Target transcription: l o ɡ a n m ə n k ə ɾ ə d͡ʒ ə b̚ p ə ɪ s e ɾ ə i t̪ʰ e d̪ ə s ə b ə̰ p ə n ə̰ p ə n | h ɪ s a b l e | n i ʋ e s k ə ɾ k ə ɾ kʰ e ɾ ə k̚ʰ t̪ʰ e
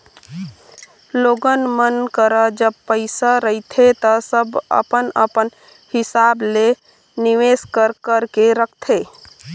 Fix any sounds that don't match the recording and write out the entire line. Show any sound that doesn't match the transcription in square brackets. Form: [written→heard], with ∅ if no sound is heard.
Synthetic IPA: l o ɡ [a→ə] n m ə n k ə ɾ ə d͡ʒ ə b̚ p ə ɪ s [e→a] ɾ ə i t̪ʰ e [d̪→t̪] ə s ə b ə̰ p ə n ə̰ p ə n | h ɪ s a b l e | n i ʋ e s k ə ɾ k ə ɾ [kʰ→k] e ɾ ə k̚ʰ t̪ʰ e